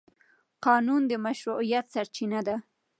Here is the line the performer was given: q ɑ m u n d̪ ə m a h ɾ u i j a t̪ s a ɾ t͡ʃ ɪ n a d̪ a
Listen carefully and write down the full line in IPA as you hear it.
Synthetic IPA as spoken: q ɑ n u n d̪ ə m a ʃ ɾ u i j a t̪ s a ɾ t͡ʃ i n a d̪ a